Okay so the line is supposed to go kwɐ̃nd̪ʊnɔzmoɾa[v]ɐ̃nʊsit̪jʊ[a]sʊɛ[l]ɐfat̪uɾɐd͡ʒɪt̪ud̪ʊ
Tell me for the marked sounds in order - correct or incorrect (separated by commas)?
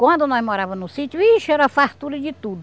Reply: correct, incorrect, incorrect